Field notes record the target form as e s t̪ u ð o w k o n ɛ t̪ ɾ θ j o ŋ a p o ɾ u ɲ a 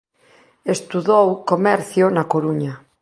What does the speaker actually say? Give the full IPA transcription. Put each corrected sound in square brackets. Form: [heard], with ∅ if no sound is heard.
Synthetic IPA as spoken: e s t̪ u ð o w k o [m] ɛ [∅] ɾ θ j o [n] a [k] o ɾ u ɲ a